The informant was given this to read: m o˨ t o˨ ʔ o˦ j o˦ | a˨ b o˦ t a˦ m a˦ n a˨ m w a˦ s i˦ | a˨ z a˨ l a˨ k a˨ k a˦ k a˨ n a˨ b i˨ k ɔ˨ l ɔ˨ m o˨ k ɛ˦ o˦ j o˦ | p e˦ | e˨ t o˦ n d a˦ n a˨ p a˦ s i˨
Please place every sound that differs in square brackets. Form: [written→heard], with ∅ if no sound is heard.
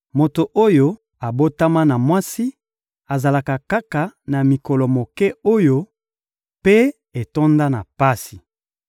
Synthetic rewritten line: m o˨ t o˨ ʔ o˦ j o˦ | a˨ b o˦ t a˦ m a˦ n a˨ m w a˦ s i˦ | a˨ z a˨ l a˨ k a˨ k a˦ k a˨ n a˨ [b→m] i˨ k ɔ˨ l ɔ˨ m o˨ k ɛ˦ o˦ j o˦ | p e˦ | e˨ t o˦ n d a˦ n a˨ p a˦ s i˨